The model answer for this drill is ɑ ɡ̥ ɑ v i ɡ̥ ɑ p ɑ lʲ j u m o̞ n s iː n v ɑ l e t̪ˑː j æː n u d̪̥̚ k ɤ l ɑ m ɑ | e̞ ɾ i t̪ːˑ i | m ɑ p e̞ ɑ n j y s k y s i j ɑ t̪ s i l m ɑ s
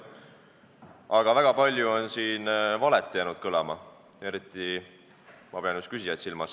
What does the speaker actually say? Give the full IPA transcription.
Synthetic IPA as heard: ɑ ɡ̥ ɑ v æ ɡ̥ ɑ p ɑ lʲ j u o̞ n s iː n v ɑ l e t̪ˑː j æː n u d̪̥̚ k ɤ l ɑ m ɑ | e̞ ɾ i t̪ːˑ i | m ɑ p e̞ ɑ n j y s k y s i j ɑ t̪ s i l m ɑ s